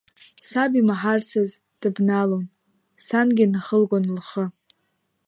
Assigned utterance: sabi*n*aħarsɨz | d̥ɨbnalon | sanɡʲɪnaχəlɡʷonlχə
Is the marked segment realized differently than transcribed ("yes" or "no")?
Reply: yes